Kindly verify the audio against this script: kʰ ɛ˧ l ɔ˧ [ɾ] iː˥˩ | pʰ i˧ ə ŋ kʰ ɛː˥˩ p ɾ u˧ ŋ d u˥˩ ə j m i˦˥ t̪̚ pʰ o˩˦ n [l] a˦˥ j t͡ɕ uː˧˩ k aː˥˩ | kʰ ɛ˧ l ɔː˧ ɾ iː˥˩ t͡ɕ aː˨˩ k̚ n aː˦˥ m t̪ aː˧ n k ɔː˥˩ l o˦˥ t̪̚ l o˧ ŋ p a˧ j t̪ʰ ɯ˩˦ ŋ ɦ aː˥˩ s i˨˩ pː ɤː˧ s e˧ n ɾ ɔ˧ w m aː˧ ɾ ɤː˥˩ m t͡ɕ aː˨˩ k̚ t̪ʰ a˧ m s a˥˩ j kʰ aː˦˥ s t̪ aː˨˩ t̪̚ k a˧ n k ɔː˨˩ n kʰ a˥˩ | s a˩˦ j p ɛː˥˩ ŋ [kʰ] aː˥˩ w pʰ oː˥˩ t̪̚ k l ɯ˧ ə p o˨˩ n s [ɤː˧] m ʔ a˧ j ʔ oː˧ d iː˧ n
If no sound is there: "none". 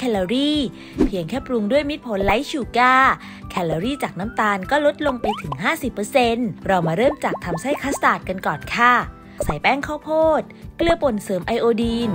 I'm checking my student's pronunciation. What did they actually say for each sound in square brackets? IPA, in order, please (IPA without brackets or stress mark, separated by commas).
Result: ɾ, l, kʰ, ɤː˩˦